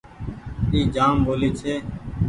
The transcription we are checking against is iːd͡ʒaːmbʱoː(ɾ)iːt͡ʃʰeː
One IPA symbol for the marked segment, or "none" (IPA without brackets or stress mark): l